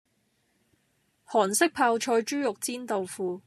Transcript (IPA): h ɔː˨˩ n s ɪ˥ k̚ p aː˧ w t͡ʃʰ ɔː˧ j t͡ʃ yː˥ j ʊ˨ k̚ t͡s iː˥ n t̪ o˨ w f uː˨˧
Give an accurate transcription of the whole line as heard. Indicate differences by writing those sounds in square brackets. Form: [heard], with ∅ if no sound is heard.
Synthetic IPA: h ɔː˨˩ n s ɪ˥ k̚ [pʰ] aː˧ w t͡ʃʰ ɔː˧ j t͡ʃ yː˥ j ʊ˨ k̚ t͡s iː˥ n t̪ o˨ w f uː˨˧

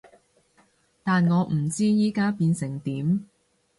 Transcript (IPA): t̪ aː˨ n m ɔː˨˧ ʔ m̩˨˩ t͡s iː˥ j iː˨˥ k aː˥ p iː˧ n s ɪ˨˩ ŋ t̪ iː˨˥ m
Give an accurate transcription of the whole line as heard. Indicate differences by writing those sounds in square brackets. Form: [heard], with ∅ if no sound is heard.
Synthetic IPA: t̪ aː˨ n [ŋ] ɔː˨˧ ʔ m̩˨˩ t͡s iː˥ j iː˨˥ k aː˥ p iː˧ n s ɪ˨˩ ŋ t̪ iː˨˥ m

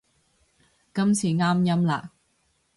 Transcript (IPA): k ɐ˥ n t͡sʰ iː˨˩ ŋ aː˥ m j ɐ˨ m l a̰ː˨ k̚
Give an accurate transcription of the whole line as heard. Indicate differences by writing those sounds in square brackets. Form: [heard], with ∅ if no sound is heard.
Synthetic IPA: k ɐ˥ [m] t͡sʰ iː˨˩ ŋ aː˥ m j [ɐ˥] m l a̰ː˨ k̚

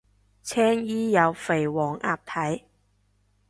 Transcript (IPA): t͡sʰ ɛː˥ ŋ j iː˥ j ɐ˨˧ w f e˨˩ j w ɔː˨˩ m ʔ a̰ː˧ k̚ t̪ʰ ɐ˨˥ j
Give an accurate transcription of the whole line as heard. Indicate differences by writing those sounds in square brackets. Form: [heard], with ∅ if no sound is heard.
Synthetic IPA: t͡sʰ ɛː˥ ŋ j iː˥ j ɐ˨˧ w f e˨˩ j w ɔː˨˩ [ŋ] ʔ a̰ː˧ [p̚] t̪ʰ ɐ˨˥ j

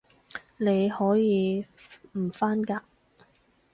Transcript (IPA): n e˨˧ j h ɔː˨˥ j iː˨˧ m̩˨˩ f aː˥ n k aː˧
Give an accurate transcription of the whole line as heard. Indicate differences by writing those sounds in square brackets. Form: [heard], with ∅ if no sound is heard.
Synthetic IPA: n e˨˧ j h ɔː˨˥ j iː˨˧ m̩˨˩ f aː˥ n k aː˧

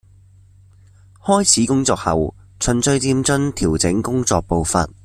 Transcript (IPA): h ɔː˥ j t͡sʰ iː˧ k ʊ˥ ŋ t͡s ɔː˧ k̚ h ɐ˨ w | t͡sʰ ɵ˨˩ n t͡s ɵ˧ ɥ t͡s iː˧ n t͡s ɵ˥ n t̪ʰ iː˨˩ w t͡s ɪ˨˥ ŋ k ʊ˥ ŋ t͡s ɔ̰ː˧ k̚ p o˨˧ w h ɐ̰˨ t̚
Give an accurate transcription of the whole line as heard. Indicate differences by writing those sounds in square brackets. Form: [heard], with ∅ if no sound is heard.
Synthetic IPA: h ɔː˥ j t͡sʰ [iː˨˥] k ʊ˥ ŋ t͡s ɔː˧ k̚ h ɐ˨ w | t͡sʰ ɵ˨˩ n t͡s ɵ˧ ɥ t͡s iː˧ [m] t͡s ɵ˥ n t̪ʰ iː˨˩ w t͡s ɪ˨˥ ŋ k ʊ˥ ŋ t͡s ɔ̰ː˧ k̚ p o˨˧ w [f] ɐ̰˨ t̚

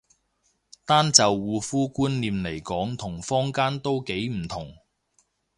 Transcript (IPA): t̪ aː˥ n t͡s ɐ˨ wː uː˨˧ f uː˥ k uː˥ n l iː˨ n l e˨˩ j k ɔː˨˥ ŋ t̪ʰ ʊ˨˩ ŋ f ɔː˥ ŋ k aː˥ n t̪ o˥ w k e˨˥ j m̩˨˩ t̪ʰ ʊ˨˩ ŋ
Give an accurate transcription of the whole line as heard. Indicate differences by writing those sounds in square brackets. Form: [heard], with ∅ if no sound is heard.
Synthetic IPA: t̪ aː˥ n t͡s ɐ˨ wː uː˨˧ f uː˥ k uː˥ n l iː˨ [m] l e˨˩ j k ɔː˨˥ ŋ t̪ʰ ʊ˨˩ ŋ f ɔː˥ ŋ k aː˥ n t̪ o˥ w k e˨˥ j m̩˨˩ t̪ʰ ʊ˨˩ ŋ

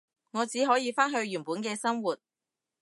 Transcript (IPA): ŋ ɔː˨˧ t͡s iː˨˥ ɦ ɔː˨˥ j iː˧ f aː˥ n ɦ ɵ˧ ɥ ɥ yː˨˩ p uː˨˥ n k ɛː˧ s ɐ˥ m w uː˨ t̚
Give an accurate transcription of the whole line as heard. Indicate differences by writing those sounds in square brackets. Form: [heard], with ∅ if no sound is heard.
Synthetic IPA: ŋ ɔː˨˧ t͡s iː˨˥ ɦ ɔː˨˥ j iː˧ f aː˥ n ɦ ɵ˧ ɥ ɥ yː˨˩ p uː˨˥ n k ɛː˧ s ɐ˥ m w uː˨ t̚

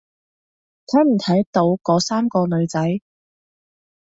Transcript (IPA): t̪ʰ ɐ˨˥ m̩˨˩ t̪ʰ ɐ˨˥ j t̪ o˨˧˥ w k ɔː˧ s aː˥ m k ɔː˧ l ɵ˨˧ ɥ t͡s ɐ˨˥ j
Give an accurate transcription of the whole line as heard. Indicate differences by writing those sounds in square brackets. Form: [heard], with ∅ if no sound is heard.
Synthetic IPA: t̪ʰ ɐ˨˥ m̩˨˩ t̪ʰ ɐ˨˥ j t̪ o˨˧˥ w k [ɔː˨˥] s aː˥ m k ɔː˧ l ɵ˨˧ ɥ t͡s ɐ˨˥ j

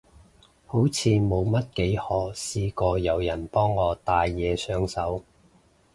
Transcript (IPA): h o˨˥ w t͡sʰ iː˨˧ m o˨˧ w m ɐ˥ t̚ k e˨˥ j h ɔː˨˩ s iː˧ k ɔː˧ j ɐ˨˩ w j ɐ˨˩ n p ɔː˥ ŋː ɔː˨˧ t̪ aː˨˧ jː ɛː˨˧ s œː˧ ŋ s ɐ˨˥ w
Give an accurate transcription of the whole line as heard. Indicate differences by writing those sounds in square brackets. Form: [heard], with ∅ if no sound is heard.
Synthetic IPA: h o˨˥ w t͡sʰ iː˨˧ m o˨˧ w m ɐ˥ t̚ k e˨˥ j h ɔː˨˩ s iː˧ k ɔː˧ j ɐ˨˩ w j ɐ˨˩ n p ɔː˥ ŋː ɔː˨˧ t̪ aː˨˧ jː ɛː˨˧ s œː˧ ŋ s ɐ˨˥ w

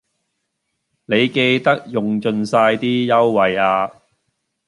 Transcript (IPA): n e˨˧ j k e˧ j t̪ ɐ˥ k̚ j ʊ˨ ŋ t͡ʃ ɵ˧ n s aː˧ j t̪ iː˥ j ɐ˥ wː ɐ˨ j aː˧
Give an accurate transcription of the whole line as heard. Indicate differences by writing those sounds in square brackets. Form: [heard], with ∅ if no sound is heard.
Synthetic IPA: n e˨˧ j k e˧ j t̪ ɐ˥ k̚ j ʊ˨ ŋ t͡ʃ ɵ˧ n s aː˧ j t̪ iː˥ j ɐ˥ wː ɐ˨ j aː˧

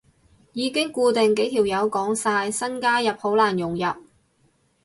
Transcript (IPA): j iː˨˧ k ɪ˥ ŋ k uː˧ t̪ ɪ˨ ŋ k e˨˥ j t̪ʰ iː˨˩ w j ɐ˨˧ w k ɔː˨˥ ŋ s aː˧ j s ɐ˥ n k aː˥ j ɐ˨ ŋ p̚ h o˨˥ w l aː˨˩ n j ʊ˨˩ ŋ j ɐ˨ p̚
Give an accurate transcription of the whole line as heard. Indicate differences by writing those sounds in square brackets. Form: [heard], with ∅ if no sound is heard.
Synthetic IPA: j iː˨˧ k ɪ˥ ŋ k uː˧ t̪ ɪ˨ ŋ k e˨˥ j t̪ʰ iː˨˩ w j ɐ˨˧ w k ɔː˨˥ ŋ s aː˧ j s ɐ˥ n k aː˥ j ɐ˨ [∅] p̚ h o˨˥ w l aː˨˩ n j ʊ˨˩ ŋ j ɐ˨ p̚

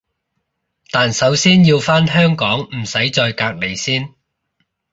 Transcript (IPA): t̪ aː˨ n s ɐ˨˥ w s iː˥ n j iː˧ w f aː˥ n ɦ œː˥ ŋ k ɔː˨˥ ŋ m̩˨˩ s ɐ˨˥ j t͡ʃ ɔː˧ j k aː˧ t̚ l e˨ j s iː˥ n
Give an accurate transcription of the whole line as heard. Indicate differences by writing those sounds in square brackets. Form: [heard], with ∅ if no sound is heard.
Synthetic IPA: t̪ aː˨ n s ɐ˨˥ w s iː˥ n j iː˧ w f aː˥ n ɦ œː˥ ŋ k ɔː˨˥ ŋ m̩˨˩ s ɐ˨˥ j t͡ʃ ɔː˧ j k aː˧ [k̚] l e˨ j s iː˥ n

